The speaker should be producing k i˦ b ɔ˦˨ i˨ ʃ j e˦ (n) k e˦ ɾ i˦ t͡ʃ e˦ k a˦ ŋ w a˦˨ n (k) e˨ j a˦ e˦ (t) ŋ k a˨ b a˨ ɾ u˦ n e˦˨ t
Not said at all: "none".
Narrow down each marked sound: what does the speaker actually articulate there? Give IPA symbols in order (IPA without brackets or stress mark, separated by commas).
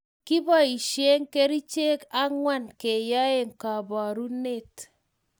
ŋ, k, none